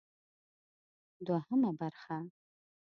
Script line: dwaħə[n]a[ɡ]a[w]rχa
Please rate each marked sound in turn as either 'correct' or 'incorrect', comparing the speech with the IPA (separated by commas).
incorrect, incorrect, incorrect